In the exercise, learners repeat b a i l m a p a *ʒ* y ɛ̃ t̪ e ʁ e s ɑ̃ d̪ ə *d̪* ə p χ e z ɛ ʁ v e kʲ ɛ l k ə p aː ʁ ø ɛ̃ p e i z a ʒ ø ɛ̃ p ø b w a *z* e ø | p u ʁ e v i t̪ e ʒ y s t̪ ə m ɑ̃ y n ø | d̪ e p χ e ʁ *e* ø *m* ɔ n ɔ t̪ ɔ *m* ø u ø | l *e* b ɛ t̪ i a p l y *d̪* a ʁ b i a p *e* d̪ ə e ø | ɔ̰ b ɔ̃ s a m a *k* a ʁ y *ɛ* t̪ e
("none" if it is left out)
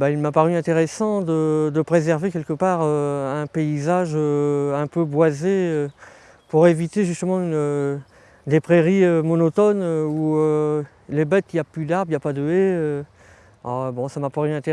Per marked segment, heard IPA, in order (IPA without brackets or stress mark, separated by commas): ʁ, d̪, z, i, m, n, e, d̪, a, p, ɛ̃